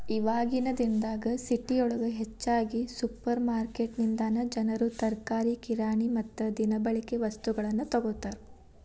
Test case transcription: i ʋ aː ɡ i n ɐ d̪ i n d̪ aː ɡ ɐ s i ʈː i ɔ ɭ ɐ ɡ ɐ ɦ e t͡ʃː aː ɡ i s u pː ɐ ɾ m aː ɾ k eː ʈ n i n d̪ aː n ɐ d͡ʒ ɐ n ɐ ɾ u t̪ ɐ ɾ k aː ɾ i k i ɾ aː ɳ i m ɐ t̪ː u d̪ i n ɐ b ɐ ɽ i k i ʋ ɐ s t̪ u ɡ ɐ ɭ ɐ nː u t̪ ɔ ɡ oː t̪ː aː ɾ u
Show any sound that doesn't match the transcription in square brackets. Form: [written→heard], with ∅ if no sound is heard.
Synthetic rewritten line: i ʋ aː ɡ i n ɐ d̪ i n d̪ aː ɡ ɐ s i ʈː i ɔ ɭ ɐ ɡ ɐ ɦ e t͡ʃː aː ɡ i s u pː ɐ ɾ m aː ɾ k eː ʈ n i n d̪ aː n ɐ d͡ʒ ɐ n ɐ ɾ u t̪ ɐ ɾ k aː ɾ i k i ɾ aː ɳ i m ɐ t̪ː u d̪ i n ɐ b ɐ [ɽ→ɭ] i k [i→e] ʋ ɐ s t̪ u ɡ ɐ ɭ ɐ nː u t̪ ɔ ɡ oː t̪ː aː ɾ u